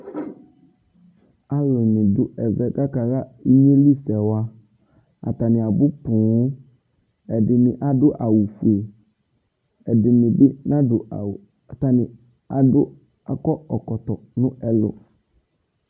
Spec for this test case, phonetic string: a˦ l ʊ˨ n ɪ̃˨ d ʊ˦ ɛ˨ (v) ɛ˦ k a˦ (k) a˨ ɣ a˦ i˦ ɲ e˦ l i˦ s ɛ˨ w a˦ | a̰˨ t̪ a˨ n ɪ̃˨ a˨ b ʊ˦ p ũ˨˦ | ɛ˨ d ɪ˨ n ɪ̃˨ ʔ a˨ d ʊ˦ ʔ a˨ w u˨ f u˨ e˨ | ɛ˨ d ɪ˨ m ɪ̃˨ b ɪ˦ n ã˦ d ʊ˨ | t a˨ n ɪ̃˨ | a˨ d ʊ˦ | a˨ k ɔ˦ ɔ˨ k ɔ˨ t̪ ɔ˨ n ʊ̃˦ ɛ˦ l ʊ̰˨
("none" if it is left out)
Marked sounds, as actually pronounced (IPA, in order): v, k

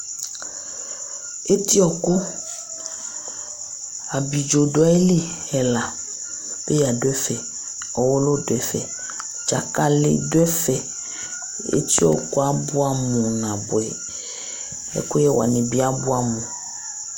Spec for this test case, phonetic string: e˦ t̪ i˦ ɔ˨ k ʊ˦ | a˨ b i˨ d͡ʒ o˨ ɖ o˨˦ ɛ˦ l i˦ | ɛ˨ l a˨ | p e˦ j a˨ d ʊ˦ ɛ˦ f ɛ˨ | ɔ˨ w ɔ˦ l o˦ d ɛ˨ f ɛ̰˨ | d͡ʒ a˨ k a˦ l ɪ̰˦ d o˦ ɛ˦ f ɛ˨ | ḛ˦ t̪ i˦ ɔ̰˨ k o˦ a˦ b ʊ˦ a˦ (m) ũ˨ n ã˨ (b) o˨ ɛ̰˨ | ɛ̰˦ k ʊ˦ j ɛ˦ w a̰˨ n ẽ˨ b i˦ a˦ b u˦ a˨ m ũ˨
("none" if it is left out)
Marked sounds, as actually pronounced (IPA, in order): m, b

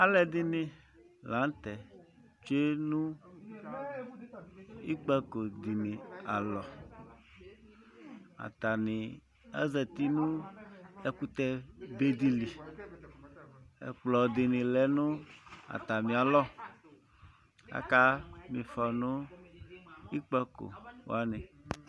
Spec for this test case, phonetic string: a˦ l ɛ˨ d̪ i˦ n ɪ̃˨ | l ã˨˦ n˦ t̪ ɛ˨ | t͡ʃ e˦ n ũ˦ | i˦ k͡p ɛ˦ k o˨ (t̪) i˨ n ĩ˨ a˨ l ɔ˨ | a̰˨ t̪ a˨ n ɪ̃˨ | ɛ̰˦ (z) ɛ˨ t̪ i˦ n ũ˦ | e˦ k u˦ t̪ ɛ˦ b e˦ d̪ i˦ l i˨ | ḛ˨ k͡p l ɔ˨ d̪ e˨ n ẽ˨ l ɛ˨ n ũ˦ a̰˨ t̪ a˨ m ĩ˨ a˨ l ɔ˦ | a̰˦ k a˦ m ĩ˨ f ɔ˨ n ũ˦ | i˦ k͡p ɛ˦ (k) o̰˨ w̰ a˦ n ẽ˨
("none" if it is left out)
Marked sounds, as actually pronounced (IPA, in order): d̪, z, k

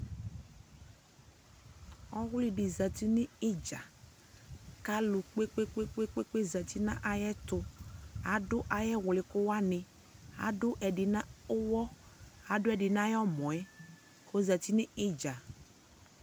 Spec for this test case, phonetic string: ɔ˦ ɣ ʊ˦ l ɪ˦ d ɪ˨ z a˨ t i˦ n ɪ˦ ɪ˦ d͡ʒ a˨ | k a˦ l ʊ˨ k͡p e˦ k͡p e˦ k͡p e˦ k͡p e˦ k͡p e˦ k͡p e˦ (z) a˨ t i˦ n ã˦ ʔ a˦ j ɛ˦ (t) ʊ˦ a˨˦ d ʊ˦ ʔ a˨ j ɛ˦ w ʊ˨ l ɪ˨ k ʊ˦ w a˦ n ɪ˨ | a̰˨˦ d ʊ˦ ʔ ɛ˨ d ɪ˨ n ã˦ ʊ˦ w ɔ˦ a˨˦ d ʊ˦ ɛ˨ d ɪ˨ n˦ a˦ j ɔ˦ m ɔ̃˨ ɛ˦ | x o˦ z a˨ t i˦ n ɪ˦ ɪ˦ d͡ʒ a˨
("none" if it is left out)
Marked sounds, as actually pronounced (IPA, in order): z, t

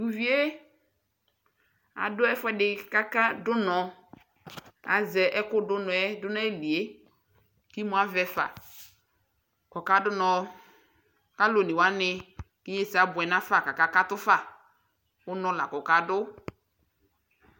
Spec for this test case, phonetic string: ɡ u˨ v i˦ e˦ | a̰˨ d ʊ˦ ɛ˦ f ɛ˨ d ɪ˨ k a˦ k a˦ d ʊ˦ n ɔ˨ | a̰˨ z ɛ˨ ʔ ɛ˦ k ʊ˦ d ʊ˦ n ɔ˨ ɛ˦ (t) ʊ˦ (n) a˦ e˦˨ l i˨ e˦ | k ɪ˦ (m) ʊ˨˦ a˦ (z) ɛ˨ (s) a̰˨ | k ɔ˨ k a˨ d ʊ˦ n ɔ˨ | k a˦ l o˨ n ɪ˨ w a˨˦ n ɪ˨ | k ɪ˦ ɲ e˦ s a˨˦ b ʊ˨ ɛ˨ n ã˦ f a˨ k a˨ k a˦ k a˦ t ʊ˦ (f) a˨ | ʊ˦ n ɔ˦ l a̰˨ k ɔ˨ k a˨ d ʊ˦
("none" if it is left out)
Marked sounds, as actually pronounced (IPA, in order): d, n, m, v, f, f

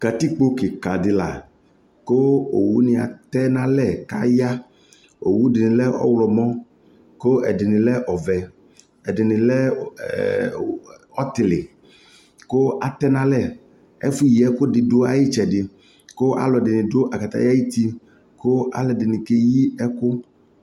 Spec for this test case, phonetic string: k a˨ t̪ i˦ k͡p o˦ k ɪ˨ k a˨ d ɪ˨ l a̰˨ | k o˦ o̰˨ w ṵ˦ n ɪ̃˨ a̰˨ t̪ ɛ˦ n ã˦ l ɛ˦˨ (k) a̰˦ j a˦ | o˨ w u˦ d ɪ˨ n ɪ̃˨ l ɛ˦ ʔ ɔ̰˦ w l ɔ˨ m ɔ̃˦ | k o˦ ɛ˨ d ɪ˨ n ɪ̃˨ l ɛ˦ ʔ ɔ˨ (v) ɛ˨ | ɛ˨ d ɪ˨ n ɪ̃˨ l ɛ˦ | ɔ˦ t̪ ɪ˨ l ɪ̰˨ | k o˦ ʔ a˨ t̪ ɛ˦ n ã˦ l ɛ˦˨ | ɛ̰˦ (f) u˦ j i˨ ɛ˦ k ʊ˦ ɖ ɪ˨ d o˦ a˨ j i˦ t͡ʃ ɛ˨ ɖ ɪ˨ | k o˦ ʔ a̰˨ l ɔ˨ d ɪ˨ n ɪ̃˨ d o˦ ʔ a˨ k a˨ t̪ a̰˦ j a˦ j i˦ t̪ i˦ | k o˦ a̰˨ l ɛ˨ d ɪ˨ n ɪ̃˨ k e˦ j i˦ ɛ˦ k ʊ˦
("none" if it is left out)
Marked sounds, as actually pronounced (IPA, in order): k, v, f

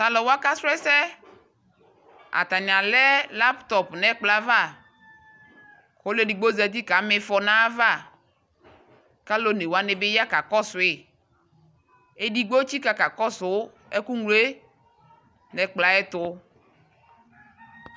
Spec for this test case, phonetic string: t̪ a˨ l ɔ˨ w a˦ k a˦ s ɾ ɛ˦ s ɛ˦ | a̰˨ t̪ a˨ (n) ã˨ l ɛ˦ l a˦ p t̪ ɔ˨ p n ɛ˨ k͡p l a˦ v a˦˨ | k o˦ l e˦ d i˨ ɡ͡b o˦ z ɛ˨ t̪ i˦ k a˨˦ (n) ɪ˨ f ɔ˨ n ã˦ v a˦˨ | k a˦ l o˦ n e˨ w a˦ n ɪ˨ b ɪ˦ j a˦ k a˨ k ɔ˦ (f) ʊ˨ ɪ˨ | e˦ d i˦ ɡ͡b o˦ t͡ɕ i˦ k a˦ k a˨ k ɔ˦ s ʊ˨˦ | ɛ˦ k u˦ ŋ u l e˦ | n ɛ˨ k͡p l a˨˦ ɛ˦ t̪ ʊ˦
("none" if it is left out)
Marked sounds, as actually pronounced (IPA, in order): ɲ, m, s

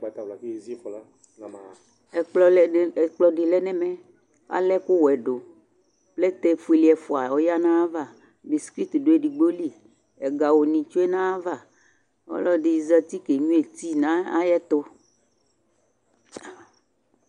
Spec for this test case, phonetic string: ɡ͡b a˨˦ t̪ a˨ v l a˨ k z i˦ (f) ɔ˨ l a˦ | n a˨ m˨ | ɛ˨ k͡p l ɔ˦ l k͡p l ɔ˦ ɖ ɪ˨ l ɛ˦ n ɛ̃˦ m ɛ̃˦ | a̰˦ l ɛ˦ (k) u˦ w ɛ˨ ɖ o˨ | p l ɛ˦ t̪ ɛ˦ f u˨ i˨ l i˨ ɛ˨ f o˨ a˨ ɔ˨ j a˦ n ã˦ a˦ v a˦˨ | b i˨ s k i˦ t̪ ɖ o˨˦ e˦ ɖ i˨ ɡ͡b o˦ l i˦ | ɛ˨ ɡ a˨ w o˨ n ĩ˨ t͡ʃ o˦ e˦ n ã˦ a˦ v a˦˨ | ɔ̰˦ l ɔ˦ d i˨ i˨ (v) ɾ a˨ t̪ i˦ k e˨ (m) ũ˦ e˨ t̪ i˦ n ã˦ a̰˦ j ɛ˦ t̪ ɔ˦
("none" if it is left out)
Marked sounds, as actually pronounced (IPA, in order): f, k, z, ɲ

